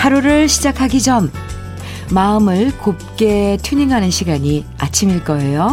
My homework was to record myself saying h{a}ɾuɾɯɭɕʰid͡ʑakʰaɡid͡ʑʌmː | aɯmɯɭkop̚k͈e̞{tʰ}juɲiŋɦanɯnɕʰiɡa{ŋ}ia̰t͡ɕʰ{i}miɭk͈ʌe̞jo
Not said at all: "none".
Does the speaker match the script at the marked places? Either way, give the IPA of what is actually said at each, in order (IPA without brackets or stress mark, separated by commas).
a, tʰ, ɲ, i